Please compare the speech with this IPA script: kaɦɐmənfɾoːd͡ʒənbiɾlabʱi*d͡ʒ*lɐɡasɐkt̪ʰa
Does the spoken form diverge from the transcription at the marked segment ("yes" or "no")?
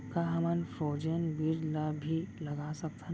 yes